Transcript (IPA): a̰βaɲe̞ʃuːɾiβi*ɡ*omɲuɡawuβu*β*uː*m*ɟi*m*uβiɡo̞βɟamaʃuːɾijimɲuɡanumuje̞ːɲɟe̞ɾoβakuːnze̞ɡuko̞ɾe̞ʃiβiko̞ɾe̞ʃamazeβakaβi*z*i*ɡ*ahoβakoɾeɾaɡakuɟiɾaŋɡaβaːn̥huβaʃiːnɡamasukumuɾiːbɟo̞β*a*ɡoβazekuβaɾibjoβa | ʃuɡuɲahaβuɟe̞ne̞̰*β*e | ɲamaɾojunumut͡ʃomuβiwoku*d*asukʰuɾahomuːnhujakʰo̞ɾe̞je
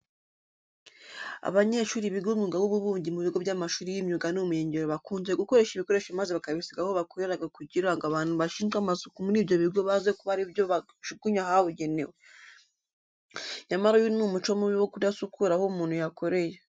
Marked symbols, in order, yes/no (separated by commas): yes, yes, no, yes, no, yes, no, no, yes